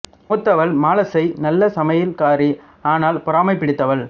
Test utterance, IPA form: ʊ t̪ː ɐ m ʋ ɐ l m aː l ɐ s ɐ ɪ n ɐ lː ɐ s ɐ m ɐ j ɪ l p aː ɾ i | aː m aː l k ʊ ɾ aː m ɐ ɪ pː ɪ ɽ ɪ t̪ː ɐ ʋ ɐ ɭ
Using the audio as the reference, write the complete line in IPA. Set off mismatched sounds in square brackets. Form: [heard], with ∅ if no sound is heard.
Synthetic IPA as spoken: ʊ t̪ː ɐ [∅] ʋ ɐ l m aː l ɐ s ɐ ɪ n ɐ lː ɐ s ɐ m ɐ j ɪ l [k] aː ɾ i | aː [n] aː l [p] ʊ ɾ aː m ɐ ɪ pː ɪ ɽ ɪ t̪ː ɐ ʋ ɐ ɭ